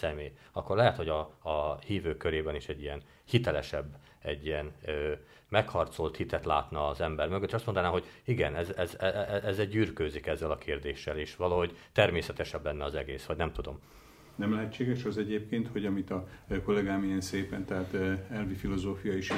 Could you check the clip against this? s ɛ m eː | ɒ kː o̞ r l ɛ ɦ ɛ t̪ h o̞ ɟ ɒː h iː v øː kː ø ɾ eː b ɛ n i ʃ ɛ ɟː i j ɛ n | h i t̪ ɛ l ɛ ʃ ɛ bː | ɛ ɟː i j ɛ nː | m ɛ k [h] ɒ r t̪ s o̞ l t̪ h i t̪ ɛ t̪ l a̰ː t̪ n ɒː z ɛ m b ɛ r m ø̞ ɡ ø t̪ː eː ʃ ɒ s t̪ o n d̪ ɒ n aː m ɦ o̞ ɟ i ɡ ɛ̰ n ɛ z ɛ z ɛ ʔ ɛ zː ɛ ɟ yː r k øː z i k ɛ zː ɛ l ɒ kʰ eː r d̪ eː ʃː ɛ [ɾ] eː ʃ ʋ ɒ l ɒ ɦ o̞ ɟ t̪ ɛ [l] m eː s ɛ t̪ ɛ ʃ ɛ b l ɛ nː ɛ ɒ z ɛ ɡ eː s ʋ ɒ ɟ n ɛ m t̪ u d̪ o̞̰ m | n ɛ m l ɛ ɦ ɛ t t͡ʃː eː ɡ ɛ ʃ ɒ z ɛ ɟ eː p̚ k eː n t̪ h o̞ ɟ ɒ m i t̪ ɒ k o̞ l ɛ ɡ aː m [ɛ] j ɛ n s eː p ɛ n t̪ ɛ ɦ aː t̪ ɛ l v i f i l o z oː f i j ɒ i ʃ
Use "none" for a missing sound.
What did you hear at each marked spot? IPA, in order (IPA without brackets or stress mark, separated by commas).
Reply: h, l, r, i